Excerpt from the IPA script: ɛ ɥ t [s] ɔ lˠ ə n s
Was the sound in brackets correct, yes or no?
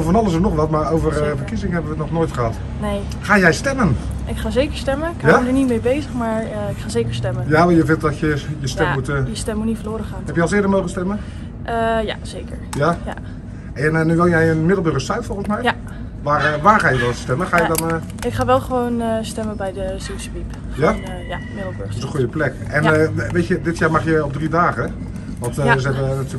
no